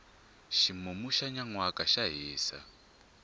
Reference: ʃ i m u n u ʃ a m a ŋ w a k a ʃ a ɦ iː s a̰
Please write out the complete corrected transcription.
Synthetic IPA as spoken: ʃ i m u m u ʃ a ɲ a ŋ w a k a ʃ a ɦ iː s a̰